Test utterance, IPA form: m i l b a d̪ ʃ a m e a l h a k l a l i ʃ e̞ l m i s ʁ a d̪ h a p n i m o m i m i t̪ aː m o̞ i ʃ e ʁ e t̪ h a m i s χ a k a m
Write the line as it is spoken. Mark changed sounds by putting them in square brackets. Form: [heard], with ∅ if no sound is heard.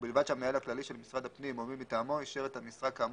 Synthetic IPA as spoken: [b] i l [v] a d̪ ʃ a m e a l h a k l a l i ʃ e̞ l m i s ʁ a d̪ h a p n i m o m i m i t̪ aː m o̞ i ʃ e ʁ e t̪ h a m i s [ʁ] a k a m